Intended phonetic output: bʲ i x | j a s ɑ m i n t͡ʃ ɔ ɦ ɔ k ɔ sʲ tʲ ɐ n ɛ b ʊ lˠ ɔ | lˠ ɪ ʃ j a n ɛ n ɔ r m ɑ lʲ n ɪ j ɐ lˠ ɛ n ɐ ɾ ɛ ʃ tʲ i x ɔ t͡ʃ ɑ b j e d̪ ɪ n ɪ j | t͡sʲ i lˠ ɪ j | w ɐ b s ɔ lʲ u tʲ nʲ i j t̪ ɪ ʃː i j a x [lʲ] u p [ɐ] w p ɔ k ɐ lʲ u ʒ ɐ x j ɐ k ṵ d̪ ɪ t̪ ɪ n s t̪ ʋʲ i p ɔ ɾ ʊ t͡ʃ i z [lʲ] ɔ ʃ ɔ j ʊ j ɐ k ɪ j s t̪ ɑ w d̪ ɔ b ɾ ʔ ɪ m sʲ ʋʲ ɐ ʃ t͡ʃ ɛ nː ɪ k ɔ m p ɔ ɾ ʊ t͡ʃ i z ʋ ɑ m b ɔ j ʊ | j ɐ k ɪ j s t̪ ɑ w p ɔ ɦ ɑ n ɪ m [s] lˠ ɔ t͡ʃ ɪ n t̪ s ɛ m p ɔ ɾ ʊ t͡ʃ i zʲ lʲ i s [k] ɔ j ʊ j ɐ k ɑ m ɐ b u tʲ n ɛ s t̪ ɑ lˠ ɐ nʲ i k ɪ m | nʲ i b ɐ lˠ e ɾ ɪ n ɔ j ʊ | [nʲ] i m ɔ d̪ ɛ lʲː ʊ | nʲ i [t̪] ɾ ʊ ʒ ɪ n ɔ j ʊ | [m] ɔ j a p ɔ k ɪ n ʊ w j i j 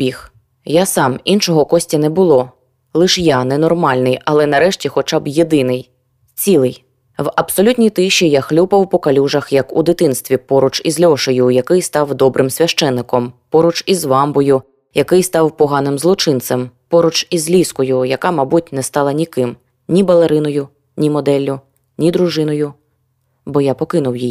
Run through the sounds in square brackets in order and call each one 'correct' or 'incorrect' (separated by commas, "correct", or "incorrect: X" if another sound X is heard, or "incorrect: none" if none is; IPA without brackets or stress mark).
correct, correct, correct, incorrect: z, correct, correct, incorrect: d̪, incorrect: b